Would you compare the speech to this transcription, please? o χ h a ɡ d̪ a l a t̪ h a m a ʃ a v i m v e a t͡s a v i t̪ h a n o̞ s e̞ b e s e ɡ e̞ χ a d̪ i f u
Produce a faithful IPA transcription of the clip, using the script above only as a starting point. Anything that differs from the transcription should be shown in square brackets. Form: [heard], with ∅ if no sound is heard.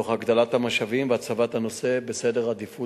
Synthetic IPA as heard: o χ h a ɡ d̪ a l a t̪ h a m a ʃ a v i m v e a t͡s a v [a] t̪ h a n o̞ s e̞ b e s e [d] e̞ [ʁ] a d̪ i f u